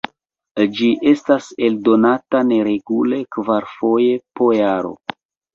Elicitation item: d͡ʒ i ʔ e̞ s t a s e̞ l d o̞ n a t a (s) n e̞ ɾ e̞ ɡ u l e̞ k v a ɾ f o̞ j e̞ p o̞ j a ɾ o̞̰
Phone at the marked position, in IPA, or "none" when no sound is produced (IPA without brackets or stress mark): none